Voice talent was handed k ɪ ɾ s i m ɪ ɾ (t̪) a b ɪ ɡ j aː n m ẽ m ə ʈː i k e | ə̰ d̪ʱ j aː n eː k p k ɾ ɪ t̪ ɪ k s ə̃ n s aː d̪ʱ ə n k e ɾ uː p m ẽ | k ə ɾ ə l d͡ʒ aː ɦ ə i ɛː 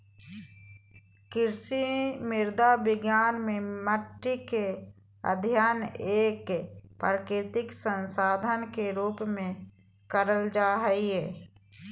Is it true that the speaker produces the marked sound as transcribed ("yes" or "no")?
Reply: no